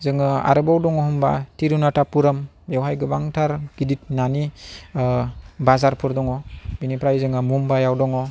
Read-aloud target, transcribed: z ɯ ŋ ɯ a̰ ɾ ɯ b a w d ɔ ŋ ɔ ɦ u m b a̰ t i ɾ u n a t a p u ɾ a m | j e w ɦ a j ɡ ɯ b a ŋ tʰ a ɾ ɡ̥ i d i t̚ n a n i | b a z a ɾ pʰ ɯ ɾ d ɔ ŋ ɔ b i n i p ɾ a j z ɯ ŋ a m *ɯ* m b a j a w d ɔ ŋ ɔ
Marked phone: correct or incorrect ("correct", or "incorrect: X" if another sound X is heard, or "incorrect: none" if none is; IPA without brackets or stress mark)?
incorrect: u